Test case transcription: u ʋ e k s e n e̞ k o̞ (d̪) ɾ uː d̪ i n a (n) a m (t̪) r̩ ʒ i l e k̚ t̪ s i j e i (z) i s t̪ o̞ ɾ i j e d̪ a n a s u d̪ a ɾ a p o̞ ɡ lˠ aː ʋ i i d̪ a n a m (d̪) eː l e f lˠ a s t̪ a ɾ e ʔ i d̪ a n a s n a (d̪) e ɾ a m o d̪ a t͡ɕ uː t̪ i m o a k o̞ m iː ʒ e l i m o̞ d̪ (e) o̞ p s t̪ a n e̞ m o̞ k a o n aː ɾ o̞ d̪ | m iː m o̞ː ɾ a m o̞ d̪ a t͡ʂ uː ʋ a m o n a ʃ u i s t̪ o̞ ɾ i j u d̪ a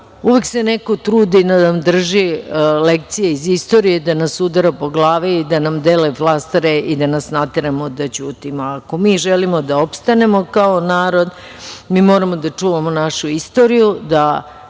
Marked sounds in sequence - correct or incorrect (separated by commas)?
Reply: incorrect, correct, incorrect, correct, correct, incorrect, incorrect